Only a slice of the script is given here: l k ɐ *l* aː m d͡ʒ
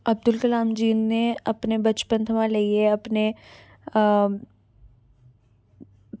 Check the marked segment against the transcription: correct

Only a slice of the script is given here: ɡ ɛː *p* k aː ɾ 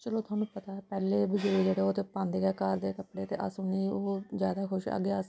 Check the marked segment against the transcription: incorrect: none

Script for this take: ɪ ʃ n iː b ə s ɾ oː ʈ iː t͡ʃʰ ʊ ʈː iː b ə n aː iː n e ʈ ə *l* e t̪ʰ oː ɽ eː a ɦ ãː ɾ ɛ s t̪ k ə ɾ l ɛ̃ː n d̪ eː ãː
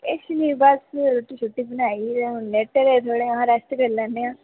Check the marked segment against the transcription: incorrect: ɾ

